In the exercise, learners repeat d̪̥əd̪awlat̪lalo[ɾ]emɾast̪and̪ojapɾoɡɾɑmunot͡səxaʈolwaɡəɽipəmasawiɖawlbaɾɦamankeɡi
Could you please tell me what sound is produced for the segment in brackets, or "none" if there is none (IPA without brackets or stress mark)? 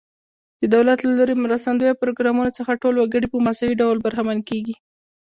ɾ